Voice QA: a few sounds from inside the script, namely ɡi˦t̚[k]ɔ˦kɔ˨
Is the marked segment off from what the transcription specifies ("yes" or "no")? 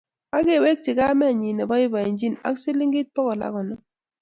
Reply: yes